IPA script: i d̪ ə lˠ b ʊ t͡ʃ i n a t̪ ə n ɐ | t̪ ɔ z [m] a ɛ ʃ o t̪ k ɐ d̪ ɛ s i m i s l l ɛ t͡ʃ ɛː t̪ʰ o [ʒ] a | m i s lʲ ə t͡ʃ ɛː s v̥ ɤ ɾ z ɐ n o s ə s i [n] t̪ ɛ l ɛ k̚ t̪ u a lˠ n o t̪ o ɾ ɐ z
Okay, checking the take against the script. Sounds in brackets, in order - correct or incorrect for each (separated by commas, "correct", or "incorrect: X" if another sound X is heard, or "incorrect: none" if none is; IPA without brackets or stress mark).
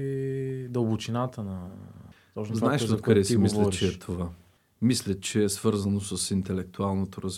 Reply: incorrect: n, incorrect: v, correct